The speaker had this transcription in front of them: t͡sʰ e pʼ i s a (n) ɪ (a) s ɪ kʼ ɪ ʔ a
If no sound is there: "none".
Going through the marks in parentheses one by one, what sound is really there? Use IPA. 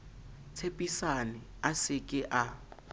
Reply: n, a

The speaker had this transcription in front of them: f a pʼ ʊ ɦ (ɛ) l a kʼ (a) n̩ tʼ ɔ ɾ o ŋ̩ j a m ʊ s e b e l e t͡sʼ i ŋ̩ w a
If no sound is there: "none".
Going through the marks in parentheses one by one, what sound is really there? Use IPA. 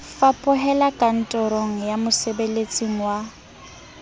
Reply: ɛ, a

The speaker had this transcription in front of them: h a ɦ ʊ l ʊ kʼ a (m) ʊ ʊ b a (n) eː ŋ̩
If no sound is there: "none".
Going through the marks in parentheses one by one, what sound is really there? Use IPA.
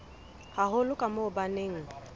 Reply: m, n

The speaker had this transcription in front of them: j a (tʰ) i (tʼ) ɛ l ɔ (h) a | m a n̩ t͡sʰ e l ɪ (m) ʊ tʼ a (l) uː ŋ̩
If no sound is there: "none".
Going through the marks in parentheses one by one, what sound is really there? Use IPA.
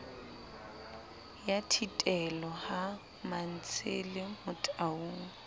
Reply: tʰ, tʼ, h, m, none

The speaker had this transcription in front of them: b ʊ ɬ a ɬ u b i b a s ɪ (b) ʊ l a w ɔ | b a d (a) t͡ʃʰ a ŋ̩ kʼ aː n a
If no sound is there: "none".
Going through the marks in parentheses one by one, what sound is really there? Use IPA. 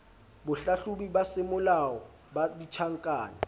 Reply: m, i

